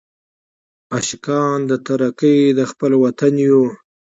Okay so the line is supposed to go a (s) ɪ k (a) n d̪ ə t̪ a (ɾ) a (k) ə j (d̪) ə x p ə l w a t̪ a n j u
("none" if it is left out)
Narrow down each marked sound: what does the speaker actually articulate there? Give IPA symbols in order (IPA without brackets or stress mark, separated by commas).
ʃ, ɑ, ɾ, k, d̪